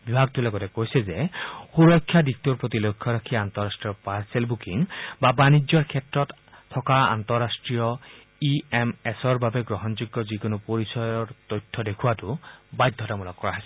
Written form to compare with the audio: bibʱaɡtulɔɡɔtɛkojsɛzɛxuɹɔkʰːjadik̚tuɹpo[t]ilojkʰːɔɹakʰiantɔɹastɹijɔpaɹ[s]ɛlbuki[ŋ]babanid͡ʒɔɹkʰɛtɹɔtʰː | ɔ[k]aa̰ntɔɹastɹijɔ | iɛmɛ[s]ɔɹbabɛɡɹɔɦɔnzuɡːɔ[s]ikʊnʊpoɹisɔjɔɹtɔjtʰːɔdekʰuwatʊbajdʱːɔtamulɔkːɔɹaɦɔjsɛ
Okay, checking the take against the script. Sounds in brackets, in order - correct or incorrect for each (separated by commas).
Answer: correct, correct, correct, correct, correct, incorrect